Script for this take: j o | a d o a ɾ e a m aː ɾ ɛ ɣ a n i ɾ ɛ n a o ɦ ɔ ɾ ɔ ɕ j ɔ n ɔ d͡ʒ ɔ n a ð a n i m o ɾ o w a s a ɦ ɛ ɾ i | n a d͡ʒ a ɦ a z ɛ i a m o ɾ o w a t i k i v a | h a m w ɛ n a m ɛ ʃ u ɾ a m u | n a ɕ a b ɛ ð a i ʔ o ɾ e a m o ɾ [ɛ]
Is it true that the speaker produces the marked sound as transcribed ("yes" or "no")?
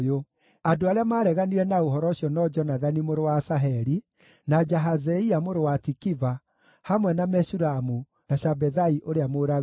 no